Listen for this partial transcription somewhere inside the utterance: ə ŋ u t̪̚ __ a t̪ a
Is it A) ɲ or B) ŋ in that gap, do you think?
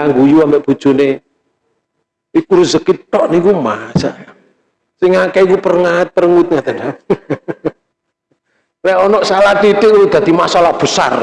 B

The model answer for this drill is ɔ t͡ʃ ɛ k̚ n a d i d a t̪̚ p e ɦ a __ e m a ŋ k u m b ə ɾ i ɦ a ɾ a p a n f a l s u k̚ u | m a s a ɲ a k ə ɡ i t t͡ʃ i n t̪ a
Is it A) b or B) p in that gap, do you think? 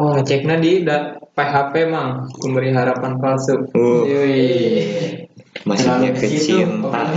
B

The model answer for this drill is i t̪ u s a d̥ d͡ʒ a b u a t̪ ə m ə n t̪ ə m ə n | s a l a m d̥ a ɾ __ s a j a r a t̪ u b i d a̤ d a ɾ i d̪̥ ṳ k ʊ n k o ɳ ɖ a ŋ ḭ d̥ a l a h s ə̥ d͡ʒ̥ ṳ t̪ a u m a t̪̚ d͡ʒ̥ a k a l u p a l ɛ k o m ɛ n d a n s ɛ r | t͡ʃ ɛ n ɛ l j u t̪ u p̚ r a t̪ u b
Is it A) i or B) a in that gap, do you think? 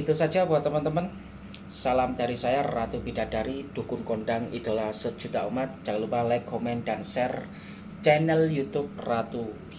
A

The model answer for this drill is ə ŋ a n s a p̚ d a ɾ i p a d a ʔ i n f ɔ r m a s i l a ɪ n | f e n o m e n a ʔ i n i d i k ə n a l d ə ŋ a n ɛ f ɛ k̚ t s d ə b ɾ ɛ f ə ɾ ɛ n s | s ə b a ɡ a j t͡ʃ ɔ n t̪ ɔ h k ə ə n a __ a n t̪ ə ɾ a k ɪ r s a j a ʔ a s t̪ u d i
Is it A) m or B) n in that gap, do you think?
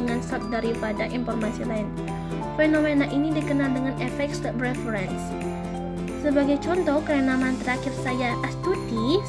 A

